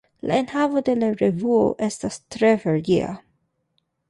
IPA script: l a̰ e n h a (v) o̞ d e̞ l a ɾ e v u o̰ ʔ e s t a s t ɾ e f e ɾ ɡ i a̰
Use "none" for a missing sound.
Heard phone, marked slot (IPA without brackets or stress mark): v